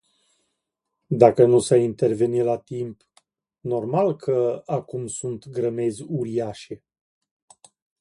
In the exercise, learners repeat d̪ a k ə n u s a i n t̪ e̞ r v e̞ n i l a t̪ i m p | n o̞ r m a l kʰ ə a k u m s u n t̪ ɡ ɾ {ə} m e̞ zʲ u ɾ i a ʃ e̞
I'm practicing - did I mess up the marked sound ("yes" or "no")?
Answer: no